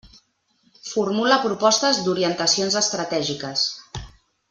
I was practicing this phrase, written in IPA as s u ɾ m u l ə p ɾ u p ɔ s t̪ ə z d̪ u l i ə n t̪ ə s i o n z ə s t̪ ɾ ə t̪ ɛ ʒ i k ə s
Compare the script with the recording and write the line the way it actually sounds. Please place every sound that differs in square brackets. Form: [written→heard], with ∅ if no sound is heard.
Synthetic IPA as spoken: [s→f] u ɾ m u l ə p ɾ u p ɔ s t̪ ə z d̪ u [l→ɾ] i ə n t̪ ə s i o n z ə s t̪ ɾ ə t̪ ɛ ʒ i k ə s